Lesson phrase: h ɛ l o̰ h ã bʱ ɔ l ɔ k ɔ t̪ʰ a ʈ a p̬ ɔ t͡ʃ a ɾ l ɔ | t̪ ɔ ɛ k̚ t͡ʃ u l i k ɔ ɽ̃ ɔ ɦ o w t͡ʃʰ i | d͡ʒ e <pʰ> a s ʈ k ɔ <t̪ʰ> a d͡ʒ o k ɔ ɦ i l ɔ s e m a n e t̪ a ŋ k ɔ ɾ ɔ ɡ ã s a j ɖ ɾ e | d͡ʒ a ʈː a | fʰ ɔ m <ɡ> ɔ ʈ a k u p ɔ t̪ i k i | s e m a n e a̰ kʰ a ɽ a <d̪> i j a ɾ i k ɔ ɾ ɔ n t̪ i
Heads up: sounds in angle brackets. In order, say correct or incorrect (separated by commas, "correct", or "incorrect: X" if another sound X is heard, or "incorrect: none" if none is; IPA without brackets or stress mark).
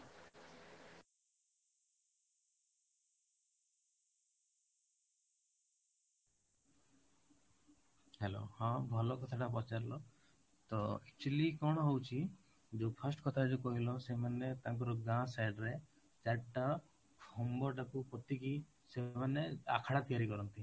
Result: correct, correct, incorrect: b, incorrect: t̪